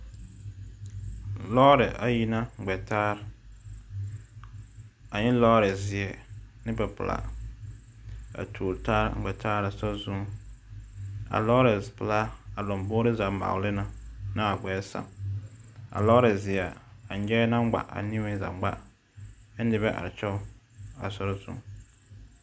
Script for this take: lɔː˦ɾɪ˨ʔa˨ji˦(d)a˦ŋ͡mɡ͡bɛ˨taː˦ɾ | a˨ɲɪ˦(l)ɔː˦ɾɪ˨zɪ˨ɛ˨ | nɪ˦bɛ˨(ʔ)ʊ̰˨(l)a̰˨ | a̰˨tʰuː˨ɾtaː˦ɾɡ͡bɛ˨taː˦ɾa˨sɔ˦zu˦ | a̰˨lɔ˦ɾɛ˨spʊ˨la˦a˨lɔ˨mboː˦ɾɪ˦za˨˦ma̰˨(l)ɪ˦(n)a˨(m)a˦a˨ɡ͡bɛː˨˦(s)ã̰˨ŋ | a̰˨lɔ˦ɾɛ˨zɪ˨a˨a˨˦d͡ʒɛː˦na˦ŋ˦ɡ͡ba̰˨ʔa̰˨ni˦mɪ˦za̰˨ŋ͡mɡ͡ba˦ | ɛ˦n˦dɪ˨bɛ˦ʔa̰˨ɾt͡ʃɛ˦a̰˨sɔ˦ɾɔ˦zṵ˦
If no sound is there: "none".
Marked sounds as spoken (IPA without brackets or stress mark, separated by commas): n, l, p, l, l, n, n, s